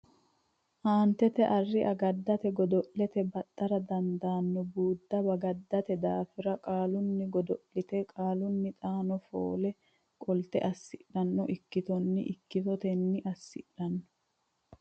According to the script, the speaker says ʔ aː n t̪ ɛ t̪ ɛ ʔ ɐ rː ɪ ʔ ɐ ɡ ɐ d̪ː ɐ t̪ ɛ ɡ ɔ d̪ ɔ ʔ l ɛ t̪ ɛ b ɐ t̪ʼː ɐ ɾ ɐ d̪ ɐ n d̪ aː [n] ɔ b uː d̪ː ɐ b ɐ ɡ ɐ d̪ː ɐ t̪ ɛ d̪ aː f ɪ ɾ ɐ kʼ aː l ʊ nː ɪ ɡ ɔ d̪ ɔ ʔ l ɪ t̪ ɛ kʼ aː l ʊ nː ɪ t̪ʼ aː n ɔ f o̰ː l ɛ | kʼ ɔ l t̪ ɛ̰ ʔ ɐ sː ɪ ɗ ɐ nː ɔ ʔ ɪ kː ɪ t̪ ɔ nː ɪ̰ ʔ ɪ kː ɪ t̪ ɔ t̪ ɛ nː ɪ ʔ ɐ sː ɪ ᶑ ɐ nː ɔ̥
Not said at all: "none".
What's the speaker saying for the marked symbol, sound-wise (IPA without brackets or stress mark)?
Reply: nː